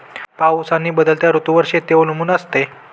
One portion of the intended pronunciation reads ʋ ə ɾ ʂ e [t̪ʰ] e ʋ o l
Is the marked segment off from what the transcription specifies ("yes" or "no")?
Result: yes